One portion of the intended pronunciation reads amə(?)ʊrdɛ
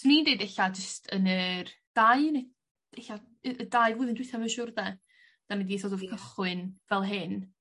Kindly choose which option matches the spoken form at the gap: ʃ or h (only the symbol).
ʃ